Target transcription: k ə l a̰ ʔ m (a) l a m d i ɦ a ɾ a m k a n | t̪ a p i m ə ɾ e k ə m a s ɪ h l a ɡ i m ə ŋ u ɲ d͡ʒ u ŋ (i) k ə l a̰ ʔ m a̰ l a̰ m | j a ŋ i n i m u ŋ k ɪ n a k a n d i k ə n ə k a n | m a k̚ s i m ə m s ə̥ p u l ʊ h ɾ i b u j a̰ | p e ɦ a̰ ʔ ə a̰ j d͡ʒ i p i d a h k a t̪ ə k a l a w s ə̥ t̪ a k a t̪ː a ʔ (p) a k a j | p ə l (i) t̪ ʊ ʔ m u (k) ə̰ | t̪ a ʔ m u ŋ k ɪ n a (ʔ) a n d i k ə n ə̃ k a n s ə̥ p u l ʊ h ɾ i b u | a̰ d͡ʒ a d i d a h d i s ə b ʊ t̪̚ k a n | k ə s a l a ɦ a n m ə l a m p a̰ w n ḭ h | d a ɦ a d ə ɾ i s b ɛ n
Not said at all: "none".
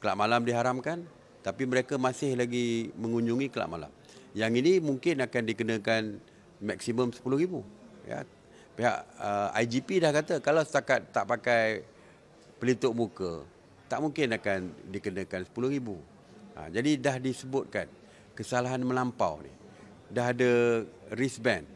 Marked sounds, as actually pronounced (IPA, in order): a, i, p, i, k, k

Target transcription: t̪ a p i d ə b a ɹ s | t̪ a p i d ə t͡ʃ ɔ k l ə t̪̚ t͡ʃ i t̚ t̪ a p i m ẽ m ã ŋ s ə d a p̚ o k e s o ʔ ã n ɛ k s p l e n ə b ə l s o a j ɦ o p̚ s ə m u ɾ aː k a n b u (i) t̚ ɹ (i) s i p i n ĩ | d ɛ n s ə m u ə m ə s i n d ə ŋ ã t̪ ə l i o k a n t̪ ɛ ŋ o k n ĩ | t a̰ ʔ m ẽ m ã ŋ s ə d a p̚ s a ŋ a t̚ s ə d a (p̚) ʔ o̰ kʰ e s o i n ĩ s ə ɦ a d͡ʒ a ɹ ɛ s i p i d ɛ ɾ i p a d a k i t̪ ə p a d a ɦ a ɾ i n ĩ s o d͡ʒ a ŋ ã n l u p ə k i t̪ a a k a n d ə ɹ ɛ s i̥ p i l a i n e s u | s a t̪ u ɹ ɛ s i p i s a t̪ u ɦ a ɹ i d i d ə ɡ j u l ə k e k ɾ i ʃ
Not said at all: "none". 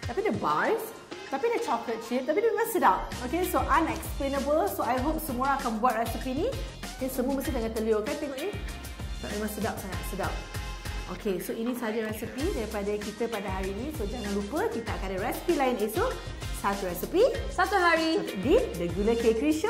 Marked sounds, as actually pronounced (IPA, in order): a, ɛ, p̚

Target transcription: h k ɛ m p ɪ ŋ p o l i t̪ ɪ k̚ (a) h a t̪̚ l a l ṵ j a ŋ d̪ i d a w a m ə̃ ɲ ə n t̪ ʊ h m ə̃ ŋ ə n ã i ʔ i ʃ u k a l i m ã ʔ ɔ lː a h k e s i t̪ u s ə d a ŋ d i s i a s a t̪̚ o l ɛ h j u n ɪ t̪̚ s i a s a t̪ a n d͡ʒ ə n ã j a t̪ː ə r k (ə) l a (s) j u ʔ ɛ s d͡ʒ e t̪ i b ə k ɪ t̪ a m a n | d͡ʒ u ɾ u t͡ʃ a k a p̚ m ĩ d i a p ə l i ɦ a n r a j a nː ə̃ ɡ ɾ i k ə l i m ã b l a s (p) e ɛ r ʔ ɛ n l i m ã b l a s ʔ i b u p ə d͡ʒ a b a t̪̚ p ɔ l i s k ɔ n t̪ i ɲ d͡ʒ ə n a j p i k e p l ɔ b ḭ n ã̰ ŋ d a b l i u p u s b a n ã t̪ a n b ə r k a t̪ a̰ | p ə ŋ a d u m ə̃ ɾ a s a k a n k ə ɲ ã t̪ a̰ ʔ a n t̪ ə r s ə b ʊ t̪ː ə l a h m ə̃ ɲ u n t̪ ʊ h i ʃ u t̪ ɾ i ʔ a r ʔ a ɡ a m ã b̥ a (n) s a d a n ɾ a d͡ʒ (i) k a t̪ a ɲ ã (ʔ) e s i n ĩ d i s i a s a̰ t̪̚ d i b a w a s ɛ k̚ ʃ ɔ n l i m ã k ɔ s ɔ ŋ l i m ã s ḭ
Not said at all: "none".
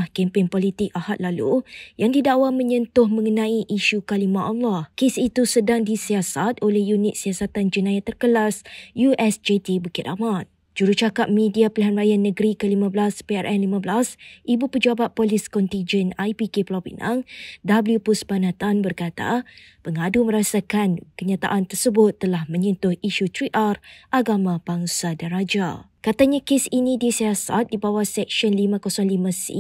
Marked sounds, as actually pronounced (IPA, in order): a, ə, s, p, ŋ, a, k

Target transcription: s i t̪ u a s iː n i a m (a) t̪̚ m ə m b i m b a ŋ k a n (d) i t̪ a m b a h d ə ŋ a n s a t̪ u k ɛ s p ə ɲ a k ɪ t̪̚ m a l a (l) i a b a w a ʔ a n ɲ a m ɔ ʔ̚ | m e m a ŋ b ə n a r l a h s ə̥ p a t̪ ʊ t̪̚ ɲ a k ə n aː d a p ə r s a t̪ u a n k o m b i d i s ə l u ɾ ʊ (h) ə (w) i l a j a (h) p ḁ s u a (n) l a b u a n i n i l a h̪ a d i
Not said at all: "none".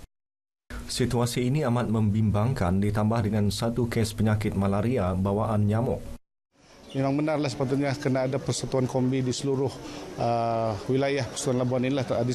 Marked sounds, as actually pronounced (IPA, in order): a, d, ɾ, h, w, h, n

